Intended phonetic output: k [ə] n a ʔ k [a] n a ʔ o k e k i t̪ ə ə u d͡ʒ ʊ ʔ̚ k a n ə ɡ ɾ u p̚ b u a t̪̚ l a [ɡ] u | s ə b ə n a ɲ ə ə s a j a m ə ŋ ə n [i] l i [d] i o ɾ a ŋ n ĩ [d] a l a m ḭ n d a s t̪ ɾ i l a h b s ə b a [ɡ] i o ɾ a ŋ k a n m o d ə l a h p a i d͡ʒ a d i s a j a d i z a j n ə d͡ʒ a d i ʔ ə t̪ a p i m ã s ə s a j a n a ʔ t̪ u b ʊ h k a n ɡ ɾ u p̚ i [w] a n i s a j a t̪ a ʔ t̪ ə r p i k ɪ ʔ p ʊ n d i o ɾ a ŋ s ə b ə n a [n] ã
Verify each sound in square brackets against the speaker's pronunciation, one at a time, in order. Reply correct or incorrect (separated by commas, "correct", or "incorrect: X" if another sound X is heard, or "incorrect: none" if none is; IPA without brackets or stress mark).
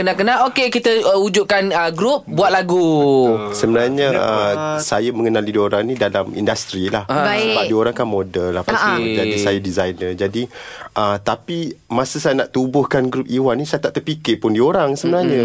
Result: correct, incorrect: ə, correct, incorrect: a, correct, correct, incorrect: d, correct, incorrect: ɲ